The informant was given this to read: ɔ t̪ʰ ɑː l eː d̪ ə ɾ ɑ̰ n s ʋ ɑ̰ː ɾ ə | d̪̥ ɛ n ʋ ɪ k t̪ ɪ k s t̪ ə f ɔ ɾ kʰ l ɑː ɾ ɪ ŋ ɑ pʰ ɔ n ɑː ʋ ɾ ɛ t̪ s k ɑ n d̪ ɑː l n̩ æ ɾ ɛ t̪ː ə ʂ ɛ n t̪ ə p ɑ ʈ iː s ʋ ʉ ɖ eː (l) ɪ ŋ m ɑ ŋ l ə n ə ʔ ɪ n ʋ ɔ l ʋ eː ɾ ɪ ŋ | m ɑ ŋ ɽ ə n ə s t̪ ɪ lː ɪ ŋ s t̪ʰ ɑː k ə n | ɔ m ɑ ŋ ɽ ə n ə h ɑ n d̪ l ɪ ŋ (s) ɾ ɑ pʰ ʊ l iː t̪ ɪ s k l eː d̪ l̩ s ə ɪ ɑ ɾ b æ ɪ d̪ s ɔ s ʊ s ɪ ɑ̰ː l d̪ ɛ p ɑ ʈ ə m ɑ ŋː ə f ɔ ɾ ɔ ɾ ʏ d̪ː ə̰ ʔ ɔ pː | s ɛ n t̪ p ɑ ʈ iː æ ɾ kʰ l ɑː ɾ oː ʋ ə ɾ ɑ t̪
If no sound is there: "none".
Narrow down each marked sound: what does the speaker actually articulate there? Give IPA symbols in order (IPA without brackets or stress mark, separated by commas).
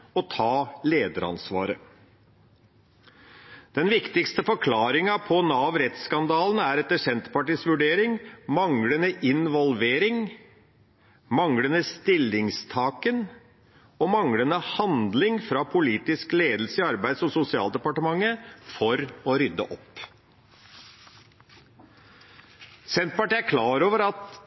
ɾ, f